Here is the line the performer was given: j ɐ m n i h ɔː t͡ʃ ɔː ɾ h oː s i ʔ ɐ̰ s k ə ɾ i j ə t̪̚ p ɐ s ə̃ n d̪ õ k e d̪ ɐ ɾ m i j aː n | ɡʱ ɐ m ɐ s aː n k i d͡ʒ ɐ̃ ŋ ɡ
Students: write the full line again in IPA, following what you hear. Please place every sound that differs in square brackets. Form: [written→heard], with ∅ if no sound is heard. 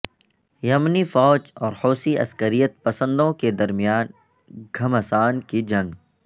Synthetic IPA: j ɐ m n i [h→f] ɔː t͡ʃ ɔː ɾ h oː s i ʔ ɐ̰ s k ə ɾ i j ə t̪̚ p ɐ s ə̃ n d̪ õ k e d̪ ɐ ɾ m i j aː n | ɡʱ ɐ m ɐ s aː n k i d͡ʒ ɐ̃ ŋ ɡ